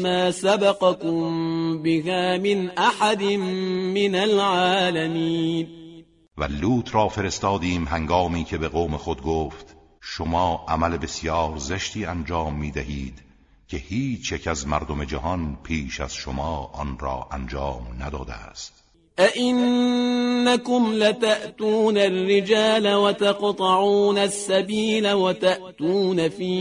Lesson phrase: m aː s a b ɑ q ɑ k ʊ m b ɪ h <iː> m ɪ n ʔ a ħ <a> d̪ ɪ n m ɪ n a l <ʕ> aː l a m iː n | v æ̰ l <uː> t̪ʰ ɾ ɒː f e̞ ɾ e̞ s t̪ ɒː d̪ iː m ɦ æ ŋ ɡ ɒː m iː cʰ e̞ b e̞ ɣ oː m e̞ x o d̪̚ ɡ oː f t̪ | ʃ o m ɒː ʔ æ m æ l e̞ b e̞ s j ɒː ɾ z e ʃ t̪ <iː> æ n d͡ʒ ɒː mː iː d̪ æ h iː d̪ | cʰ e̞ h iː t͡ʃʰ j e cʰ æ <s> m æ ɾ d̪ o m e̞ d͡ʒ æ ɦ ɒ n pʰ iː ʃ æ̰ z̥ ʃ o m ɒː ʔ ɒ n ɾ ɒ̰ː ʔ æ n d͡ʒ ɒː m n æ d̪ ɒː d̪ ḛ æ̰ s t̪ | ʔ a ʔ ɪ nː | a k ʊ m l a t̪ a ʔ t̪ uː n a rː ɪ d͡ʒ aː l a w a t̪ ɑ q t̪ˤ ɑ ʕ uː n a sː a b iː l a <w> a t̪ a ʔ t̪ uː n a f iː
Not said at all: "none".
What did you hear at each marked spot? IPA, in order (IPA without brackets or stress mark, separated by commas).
aː, a, ʕ, uː, iː, z, w